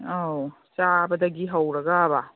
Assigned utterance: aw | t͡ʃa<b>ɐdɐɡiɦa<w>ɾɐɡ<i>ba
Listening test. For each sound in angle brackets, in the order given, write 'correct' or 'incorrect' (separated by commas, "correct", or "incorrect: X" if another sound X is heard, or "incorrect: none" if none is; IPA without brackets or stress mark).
correct, correct, incorrect: a